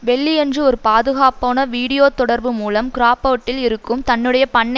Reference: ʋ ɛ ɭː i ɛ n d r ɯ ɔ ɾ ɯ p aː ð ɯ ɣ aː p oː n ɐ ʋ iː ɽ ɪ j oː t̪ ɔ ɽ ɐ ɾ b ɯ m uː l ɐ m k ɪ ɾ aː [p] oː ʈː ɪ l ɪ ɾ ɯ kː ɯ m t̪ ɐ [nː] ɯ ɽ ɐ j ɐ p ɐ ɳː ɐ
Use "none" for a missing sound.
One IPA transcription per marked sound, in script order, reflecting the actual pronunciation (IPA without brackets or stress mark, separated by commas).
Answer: p, nː